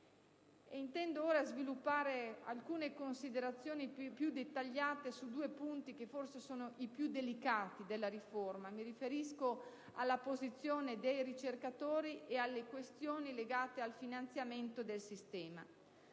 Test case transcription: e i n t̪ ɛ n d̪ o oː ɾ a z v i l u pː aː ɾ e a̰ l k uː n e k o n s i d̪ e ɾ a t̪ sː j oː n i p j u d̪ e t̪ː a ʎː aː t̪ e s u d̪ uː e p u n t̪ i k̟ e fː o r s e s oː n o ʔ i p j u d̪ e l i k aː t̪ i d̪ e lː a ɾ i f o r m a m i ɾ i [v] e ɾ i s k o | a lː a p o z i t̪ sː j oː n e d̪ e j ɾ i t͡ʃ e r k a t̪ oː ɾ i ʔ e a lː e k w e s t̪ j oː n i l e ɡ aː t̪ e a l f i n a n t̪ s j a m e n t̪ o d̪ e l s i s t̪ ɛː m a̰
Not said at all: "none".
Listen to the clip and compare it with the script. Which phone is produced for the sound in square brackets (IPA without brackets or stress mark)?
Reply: f